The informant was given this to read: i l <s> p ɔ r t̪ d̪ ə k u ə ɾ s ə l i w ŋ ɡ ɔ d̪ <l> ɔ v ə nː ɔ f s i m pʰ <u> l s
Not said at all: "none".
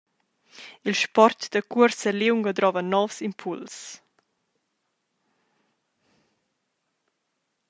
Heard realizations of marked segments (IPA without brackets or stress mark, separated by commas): ʃ, ɾ, u